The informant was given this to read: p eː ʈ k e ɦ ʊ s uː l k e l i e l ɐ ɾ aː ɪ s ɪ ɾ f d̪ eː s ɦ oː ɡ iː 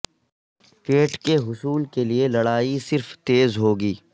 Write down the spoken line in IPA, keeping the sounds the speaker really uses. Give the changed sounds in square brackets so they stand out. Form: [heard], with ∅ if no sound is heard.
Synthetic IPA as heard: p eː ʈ k e ɦ ʊ s uː l k e l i e l ɐ [ɽ] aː [i] s ɪ ɾ f [t̪] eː [z] ɦ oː ɡ iː

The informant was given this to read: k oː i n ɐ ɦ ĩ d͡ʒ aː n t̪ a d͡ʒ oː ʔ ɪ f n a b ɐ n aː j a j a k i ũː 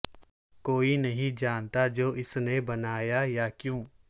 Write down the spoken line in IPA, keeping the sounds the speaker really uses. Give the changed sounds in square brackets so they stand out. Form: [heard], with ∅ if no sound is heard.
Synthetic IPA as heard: k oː i n ɐ ɦ ĩ d͡ʒ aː n t̪ a d͡ʒ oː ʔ ɪ [s] n [e] b ɐ n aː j a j a k [j] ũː

